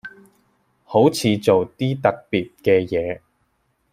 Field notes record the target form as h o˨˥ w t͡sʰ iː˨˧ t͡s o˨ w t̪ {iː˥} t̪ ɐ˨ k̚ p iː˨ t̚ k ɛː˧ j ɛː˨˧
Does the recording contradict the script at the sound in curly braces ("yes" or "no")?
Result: no